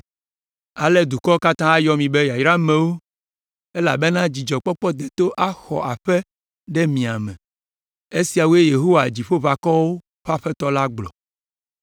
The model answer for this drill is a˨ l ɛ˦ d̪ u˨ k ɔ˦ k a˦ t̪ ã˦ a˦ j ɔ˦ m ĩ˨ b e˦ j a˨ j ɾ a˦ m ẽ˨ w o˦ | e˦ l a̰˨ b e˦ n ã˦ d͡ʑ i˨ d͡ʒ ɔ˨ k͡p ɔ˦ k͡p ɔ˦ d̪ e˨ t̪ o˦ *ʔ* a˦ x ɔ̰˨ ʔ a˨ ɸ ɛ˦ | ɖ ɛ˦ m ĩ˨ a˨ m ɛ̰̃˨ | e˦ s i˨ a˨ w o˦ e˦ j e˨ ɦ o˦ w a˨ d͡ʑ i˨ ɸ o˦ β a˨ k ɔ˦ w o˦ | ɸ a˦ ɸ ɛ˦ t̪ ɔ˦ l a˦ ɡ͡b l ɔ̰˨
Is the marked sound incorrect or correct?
correct